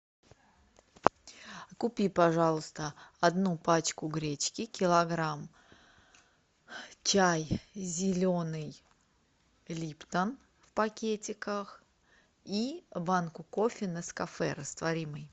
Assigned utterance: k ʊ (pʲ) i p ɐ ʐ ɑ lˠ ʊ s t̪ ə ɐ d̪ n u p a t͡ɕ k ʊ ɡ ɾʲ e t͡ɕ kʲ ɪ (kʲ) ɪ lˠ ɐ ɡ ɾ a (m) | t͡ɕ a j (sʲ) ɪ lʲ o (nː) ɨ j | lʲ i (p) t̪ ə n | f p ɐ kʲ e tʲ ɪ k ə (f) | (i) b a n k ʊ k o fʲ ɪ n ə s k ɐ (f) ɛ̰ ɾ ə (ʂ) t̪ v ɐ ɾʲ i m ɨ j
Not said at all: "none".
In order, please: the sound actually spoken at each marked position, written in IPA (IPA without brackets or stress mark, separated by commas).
pʲ, kʲ, m, zʲ, n, p, x, i, f, s